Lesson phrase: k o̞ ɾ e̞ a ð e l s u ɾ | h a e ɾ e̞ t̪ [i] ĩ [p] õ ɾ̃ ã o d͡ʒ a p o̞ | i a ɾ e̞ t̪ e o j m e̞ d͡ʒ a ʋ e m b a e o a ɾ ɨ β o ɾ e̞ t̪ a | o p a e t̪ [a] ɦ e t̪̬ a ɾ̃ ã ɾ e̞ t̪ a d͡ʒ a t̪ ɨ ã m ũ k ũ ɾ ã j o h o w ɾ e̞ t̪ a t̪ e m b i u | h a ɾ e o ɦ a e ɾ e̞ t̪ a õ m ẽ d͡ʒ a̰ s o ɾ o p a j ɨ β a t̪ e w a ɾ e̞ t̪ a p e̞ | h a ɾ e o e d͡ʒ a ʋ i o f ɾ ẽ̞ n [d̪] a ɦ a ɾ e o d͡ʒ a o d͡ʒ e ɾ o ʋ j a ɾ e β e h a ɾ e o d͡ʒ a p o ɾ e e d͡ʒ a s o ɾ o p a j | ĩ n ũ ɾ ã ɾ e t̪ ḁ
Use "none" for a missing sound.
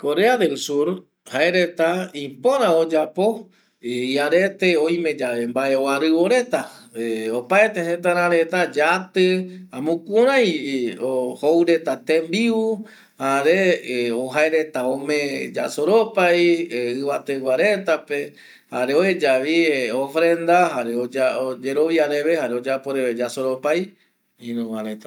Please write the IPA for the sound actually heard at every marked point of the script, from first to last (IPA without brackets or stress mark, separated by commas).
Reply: a, p, e, d̪